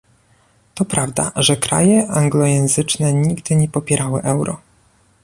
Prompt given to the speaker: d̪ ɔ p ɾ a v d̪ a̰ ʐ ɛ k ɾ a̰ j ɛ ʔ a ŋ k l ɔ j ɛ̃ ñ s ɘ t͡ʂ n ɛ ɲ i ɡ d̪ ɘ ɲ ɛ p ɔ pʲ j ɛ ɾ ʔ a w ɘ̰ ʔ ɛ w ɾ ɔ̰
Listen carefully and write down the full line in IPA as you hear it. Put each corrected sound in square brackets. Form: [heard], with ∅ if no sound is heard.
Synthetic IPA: [t̪] ɔ p ɾ a v d̪ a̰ ʐ ɛ k ɾ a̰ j ɛ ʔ a ŋ [ɡ] l ɔ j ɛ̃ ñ [z] ɘ t͡ʂ n ɛ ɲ i ɡ d̪ ɘ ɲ ɛ p ɔ pʲ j ɛ ɾ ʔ a w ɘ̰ ʔ ɛ w ɾ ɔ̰

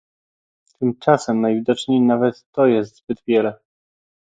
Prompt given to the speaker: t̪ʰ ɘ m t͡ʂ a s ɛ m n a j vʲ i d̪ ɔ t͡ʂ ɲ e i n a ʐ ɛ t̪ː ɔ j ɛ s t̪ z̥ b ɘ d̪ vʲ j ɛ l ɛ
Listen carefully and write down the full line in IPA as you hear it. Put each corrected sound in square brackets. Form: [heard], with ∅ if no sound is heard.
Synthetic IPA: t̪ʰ ɘ m t͡ʂ a s ɛ m n a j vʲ i d̪ ɔ t͡ʂ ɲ e [j] n a [v] ɛ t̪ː ɔ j ɛ s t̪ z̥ b ɘ d̪ vʲ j ɛ l ɛ

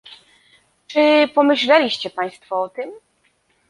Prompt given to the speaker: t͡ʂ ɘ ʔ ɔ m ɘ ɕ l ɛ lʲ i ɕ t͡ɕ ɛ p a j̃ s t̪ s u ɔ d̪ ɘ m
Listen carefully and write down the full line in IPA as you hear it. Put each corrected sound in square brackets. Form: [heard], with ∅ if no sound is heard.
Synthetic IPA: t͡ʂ ɘ [p] ɔ m ɘ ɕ l ɛ lʲ i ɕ t͡ɕ ɛ p a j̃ s t̪ [f] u ɔ [t̪] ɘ m

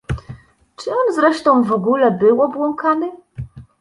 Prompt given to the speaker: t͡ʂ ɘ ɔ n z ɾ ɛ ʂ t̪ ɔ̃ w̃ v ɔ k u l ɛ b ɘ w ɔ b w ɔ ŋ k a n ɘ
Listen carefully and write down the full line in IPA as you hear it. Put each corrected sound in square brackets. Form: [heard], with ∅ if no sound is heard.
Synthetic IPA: t͡ʂ ɘ ɔ n z ɾ ɛ ʂ t̪ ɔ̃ w̃ v ɔ [ɡ] u l ɛ b ɘ w ɔ b w ɔ ŋ k a n ɘ

